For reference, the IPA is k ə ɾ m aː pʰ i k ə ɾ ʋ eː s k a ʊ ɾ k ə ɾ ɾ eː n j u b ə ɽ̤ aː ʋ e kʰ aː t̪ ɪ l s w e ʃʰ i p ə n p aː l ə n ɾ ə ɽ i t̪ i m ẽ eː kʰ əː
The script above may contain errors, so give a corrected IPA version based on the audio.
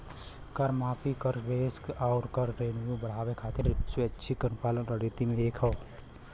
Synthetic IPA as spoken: k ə ɾ m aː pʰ i k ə ɾ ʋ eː s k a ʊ ɾ k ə ɾ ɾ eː n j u b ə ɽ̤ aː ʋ e kʰ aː t̪ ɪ ɾ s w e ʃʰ i k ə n p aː l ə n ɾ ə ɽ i t̪ i m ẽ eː kʰ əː